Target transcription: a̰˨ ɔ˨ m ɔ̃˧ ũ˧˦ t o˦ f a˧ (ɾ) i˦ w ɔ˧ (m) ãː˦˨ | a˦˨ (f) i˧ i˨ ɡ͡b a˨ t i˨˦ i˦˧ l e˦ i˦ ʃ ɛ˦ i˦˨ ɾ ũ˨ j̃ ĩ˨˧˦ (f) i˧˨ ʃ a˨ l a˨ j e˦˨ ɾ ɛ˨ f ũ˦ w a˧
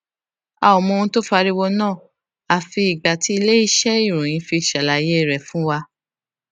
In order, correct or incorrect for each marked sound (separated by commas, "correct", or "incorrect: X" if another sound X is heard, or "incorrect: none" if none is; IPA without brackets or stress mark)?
correct, incorrect: n, correct, correct